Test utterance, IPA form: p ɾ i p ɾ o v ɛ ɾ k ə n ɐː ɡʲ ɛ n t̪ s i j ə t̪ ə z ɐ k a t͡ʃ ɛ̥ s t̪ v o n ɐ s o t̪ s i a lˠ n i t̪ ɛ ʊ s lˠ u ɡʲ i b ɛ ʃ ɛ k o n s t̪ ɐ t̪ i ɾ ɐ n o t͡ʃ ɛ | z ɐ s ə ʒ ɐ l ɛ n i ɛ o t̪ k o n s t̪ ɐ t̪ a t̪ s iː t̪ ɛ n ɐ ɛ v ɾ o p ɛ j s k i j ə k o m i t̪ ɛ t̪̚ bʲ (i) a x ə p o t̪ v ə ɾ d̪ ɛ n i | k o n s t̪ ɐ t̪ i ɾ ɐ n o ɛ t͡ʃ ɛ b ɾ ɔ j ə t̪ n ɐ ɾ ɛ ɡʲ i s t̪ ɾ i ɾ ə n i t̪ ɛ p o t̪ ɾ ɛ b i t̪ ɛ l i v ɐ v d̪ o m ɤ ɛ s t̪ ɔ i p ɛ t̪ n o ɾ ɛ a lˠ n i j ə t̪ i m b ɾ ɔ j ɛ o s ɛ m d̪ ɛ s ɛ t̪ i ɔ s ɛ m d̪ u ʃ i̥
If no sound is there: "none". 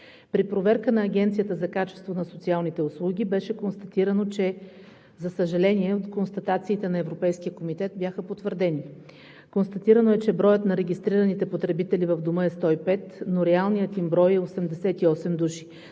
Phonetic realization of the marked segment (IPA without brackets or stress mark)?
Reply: j